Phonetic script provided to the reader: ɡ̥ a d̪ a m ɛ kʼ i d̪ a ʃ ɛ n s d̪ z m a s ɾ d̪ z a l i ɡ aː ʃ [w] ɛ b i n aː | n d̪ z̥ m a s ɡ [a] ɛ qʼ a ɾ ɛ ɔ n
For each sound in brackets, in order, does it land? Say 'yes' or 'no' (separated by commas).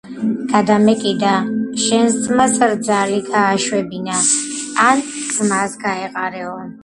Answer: yes, yes